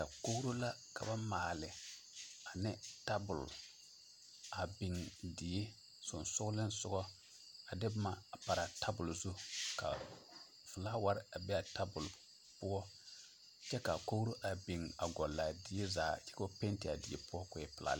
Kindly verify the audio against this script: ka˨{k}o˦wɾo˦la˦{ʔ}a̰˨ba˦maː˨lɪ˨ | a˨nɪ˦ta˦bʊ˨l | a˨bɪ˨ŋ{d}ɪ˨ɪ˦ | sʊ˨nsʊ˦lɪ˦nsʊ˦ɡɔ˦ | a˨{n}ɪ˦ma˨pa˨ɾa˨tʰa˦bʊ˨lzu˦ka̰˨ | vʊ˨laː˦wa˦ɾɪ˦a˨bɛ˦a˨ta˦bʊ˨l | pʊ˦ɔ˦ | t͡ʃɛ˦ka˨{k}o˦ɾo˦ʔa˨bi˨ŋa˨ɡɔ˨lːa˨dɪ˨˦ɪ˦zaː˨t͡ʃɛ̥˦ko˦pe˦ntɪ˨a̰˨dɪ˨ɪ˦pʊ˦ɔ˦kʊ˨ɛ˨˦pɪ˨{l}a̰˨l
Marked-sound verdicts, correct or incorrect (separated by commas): correct, incorrect, correct, incorrect, correct, correct